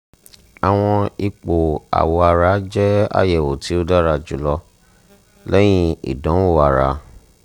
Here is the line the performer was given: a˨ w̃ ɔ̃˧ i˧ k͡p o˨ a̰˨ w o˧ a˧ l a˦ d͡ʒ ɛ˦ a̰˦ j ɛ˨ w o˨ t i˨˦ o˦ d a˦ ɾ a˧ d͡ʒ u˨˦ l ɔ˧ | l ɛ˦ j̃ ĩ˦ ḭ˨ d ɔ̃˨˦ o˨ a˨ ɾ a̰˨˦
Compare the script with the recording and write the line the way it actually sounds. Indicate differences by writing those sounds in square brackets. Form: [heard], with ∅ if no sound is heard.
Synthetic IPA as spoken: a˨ w̃ ɔ̃˧ i˧ k͡p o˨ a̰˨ w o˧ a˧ [ɾ] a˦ d͡ʒ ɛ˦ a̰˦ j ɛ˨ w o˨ t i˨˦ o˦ d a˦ ɾ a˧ d͡ʒ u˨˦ l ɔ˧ | l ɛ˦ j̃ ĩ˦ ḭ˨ d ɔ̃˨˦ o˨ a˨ ɾ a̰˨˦